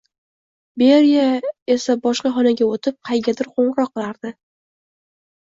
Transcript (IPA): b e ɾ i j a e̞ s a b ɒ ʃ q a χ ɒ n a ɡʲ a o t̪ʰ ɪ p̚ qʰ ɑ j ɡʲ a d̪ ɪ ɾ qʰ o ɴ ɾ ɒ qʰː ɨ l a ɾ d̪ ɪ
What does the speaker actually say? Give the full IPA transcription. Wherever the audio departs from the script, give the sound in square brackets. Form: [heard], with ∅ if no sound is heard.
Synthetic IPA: b e ɾ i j a e̞ s a b ɒ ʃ q [ɑ] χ ɒ n a ɡʲ a o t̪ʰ ɪ p̚ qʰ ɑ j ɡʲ a d̪ ɪ ɾ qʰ o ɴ ɾ ɒ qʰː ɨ l a ɾ d̪ ɪ